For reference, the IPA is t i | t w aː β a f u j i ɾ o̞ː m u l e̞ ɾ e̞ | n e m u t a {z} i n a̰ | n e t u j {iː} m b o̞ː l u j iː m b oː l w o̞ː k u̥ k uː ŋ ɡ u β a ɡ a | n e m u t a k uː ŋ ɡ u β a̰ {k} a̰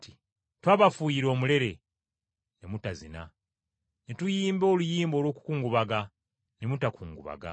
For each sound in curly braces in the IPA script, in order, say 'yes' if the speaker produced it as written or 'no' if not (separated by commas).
yes, yes, no